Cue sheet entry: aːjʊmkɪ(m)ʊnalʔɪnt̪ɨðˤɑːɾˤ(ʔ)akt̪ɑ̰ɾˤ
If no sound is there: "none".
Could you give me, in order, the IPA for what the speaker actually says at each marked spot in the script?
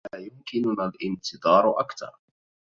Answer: n, ʔ

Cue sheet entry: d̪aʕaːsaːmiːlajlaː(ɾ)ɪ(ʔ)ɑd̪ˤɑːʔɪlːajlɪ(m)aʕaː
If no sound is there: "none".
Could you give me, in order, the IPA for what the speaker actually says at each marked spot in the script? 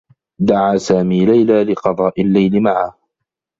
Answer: l, q, m

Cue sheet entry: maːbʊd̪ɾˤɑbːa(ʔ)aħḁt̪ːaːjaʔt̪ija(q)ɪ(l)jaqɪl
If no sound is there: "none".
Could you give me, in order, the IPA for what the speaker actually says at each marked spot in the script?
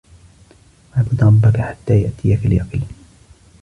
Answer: k, k, l

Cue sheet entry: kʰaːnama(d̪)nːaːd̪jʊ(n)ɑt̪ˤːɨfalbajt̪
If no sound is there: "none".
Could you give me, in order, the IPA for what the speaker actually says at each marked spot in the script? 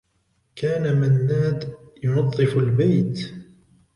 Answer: none, n

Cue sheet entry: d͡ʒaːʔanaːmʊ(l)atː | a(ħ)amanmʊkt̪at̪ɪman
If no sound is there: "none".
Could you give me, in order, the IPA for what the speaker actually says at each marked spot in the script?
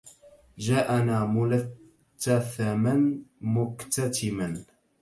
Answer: l, θ

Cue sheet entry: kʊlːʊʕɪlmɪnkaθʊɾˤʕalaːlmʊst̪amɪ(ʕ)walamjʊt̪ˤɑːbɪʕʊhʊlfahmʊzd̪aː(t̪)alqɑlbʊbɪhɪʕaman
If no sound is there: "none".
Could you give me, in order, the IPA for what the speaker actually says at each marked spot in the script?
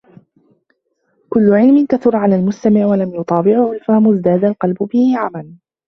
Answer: ʕ, d̪

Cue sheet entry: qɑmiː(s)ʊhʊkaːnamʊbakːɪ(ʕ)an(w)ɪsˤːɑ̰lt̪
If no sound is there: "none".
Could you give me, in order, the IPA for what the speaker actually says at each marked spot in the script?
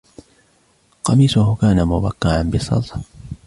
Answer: s, ʕ, b

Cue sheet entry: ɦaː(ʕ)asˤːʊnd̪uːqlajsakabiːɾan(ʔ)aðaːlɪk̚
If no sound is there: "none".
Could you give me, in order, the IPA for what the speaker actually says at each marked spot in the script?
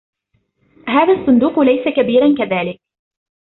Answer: ð, k

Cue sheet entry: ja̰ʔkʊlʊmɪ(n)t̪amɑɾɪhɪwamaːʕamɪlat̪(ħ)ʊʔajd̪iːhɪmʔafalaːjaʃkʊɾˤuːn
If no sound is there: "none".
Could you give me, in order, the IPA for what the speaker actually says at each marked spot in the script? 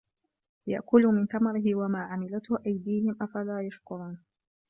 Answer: n, h

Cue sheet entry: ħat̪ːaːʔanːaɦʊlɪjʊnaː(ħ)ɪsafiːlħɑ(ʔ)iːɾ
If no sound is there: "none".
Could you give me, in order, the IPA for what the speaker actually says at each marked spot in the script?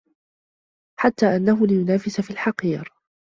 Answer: f, q

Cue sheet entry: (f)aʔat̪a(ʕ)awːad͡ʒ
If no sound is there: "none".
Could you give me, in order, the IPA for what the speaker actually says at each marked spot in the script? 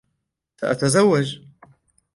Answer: s, z

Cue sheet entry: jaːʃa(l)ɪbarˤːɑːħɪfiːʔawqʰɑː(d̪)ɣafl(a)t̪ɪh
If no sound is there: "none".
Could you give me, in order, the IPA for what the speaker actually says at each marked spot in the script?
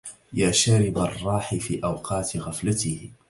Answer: ɾ, t̪, a

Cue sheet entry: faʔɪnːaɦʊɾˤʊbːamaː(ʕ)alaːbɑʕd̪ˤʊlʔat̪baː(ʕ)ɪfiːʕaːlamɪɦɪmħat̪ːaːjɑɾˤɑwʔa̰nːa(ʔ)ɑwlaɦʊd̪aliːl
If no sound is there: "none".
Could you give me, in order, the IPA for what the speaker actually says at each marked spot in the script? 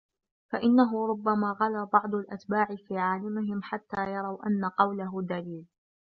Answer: ɣ, ʕ, q

